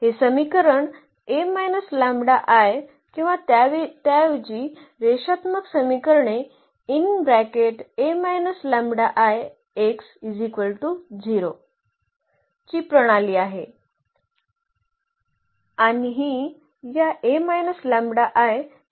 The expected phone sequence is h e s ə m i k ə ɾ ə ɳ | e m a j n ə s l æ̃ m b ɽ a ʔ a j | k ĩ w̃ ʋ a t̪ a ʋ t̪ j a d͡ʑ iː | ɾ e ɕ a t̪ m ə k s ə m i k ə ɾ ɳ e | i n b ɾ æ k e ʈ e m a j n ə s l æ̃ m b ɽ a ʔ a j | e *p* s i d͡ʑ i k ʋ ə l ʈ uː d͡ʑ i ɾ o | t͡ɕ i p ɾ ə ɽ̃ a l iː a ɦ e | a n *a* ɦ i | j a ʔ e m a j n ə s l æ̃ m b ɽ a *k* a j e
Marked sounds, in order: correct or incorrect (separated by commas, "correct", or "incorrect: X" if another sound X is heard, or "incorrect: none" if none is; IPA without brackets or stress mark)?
incorrect: k, incorrect: i, incorrect: ʔ